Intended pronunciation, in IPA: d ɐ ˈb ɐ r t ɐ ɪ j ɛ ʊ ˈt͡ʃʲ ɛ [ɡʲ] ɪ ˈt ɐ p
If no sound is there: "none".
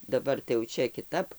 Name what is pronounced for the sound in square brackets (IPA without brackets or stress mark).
kʲ